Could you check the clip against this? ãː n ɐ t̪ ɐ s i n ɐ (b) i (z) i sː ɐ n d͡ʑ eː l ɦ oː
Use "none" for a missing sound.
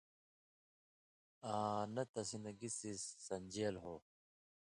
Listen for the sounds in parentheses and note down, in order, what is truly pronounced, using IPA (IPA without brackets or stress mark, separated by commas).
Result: ɡ, s